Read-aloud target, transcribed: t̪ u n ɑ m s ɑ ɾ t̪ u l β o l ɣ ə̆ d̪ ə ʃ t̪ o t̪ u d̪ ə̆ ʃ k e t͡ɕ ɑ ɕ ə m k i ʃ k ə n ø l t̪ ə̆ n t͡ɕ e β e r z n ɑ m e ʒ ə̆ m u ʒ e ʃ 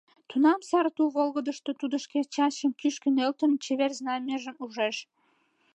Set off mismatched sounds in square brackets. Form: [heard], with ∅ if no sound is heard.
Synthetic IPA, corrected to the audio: t̪ u n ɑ m s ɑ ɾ t̪ u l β o l ɣ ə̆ d̪ ə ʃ t̪ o t̪ u d̪ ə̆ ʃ k e t͡ɕ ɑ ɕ ə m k [y] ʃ k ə n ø l t̪ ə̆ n t͡ɕ e β e r z n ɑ m e ʒ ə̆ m u ʒ e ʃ